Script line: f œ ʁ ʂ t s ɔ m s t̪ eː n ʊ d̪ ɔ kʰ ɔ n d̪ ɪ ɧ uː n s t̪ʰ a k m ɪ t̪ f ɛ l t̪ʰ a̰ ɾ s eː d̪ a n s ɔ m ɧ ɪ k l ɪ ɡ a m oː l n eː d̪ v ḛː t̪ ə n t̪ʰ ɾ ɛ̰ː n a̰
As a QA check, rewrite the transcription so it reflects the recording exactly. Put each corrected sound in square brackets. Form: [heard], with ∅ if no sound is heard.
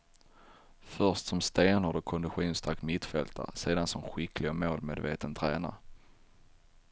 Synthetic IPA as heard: f œ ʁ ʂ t s ɔ m s t̪ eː n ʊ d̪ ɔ kʰ ɔ n d̪ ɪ ɧ uː n s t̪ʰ a k m ɪ t̪ f ɛ l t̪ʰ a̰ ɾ s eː d̪ a n s ɔ m ɧ ɪ k l ɪ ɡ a m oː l [m] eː d̪ v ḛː t̪ ə n t̪ʰ ɾ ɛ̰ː n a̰